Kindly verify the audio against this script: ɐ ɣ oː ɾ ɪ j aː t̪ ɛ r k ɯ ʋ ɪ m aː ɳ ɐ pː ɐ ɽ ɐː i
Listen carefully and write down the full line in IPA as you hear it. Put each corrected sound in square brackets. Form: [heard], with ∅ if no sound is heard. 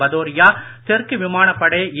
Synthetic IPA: ɐ [ð] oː ɾ ɪ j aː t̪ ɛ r k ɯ ʋ ɪ m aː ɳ ɐ pː ɐ ɽ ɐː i

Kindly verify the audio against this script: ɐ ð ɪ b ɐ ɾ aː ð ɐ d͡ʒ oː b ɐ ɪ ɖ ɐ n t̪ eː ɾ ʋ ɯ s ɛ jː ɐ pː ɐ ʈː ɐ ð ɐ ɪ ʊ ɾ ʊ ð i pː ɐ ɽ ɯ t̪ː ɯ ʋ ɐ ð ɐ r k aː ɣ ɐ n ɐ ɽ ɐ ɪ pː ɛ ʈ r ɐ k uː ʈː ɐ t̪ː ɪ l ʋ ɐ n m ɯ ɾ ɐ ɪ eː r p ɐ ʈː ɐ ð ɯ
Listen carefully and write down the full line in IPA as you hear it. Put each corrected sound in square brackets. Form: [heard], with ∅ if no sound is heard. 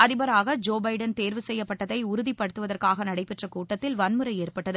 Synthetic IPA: ɐ ð ɪ b ɐ ɾ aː [ɣ] ɐ d͡ʒ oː b ɐ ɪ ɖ ɐ n t̪ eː ɾ ʋ ɯ s ɛ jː ɐ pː ɐ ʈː ɐ ð ɐ ɪ ʊ ɾ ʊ ð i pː ɐ ɽ ɯ t̪ː ɯ ʋ ɐ ð ɐ r k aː ɣ ɐ n ɐ ɽ ɐ ɪ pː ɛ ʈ r ɐ k uː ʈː ɐ t̪ː ɪ l ʋ ɐ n m ɯ ɾ ɐ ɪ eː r p ɐ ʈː ɐ ð ɯ

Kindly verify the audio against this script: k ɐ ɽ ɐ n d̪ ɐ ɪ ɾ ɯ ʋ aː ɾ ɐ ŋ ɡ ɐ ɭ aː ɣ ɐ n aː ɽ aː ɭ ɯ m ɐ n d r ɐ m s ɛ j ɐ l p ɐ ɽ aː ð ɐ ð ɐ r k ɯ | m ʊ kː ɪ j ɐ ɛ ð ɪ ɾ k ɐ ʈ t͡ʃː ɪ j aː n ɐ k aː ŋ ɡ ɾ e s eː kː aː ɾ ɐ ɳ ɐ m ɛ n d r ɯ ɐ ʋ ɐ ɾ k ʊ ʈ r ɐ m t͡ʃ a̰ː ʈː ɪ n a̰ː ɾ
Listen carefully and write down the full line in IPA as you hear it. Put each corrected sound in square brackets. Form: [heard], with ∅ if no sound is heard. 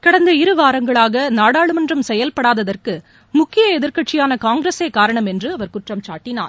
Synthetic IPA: k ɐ ɽ ɐ n d̪ ɐ ɪ ɾ ɯ ʋ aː ɾ ɐ ŋ ɡ ɐ ɭ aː ɣ ɐ n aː ɽ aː ɭ ɯ m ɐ n d r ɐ m s ɛ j ɐ l p ɐ ɽ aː ð ɐ ð ɐ r k ɯ | m ʊ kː ɪ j ɐ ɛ ð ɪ ɾ k ɐ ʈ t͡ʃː ɪ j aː n ɐ k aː ŋ ɡ ɾ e s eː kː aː ɾ ɐ ɳ ɐ m ɛ n d r ɯ ɐ ʋ ɐ ɾ k ʊ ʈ r ɐ m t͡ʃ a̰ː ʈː ɪ n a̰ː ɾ

